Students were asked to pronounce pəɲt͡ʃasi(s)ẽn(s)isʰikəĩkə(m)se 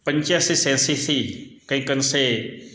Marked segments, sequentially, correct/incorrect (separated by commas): correct, correct, incorrect